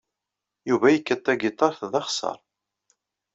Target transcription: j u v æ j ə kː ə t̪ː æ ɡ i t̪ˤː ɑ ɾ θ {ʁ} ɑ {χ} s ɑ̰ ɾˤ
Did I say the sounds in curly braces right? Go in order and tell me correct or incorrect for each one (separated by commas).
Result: incorrect, correct